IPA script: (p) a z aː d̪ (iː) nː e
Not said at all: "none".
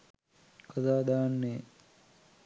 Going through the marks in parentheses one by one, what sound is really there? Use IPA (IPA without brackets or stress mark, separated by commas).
k, aː